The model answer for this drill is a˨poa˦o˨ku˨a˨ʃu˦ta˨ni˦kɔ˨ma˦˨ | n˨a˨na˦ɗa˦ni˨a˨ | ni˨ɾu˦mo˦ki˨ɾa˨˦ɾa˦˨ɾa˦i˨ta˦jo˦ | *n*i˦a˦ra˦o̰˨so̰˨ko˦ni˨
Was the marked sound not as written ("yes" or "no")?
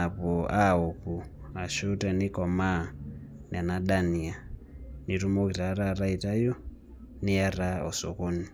no